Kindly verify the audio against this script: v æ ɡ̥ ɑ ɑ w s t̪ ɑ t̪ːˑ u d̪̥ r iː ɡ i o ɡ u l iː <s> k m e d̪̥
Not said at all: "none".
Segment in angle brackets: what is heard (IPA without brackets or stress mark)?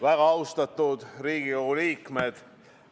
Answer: none